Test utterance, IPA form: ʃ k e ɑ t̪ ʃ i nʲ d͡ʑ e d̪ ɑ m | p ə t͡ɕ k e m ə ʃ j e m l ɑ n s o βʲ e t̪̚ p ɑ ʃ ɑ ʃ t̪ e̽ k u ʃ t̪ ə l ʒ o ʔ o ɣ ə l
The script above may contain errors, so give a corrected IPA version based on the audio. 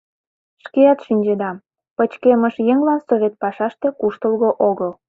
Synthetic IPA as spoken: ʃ k e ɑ t̪ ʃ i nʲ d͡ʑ e d̪ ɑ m | p ə t͡ɕ k e m ə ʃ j e ŋ l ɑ n s o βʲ e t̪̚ p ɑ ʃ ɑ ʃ t̪ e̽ k u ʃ t̪ ə l ɣ o ʔ o ɣ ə l

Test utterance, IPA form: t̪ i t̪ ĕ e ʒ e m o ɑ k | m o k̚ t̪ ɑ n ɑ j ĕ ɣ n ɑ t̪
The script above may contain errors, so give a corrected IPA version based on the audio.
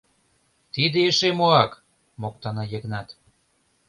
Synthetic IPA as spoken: t̪ i d̪ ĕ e ʃ e m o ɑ k | m o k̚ t̪ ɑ n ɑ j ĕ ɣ n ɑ t̪

